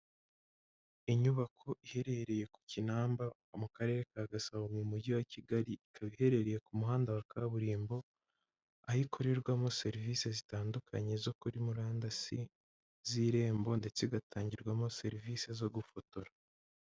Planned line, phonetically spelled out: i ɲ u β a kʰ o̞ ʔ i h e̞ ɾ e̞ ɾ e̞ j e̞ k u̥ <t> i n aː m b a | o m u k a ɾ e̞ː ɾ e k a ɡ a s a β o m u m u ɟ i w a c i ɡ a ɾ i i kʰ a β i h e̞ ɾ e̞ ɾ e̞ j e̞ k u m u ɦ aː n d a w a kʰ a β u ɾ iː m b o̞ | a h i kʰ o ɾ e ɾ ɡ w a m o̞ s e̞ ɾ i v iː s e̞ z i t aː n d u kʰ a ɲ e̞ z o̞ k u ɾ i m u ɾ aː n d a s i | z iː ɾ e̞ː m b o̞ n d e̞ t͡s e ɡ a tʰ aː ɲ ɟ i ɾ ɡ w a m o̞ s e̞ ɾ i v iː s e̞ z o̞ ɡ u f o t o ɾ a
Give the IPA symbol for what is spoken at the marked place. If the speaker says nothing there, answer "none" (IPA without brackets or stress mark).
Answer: c